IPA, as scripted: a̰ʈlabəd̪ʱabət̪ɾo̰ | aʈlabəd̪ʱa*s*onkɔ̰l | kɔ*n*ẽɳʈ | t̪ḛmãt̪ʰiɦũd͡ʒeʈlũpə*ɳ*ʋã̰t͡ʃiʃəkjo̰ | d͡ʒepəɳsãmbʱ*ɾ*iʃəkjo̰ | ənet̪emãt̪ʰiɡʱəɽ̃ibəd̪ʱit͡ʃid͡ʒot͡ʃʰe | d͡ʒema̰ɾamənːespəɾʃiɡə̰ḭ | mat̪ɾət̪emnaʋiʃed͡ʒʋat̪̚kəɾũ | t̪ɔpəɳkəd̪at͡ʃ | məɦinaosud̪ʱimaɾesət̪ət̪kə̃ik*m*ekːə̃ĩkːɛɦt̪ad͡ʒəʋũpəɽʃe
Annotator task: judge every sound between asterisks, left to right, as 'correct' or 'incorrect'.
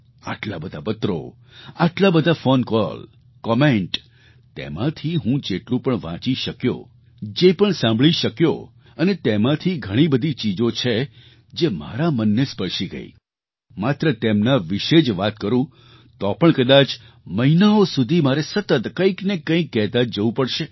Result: incorrect, incorrect, correct, incorrect, incorrect

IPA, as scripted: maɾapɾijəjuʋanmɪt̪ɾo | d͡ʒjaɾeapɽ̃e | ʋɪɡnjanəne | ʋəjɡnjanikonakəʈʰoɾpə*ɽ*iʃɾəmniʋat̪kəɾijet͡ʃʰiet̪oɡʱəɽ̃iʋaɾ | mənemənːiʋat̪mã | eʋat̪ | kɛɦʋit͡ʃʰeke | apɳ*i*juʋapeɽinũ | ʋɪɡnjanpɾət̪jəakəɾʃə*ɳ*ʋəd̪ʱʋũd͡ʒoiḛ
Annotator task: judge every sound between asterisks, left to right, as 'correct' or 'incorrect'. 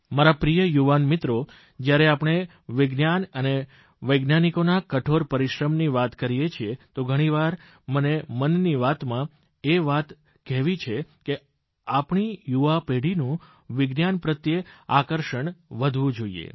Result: incorrect, correct, correct

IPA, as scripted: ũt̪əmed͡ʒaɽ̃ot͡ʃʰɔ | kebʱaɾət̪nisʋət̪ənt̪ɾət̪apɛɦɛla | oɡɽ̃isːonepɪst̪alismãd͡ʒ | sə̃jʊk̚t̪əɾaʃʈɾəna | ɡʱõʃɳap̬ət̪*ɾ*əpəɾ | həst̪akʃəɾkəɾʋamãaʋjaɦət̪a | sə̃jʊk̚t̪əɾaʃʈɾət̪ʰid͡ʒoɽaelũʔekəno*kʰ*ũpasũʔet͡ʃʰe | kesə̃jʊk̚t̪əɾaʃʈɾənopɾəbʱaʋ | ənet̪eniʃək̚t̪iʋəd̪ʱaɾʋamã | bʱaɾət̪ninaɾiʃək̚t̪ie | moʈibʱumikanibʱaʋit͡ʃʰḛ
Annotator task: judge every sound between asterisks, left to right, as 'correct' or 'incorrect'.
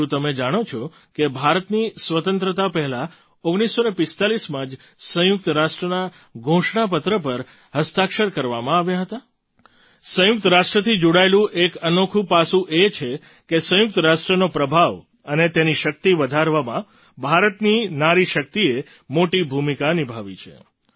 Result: correct, correct

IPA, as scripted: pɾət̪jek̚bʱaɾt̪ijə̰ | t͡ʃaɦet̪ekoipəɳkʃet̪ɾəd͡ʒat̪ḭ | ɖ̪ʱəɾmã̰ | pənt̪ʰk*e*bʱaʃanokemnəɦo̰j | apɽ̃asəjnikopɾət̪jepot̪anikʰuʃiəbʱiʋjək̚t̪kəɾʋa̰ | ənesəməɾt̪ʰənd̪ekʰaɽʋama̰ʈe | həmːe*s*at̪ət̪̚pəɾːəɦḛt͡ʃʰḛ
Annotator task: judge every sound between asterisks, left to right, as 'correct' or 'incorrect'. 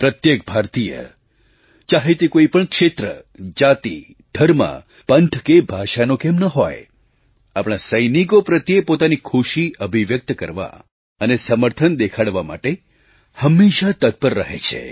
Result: correct, incorrect

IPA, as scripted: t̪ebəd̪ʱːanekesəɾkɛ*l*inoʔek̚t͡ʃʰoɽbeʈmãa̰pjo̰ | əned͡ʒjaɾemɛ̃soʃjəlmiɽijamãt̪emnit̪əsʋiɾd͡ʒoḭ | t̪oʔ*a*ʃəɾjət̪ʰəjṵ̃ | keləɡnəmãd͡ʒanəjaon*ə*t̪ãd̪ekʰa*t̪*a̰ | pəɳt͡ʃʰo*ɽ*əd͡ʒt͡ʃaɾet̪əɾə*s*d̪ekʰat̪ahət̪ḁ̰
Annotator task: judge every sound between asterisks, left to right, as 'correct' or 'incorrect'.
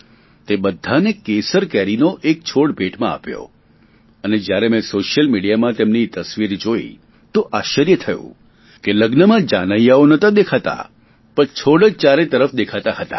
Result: incorrect, correct, correct, correct, correct, incorrect

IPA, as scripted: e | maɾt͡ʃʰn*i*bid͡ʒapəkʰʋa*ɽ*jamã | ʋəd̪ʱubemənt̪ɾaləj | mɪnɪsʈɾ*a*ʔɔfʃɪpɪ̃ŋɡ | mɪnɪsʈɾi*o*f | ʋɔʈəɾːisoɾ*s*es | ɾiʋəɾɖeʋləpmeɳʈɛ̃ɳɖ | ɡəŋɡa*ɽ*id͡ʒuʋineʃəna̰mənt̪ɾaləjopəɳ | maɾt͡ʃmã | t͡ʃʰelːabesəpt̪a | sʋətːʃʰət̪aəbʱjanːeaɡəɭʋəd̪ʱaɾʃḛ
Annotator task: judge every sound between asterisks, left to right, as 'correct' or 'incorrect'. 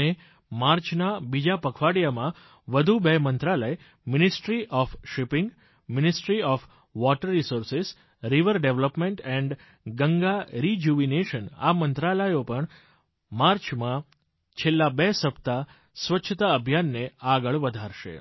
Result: incorrect, correct, incorrect, incorrect, correct, incorrect

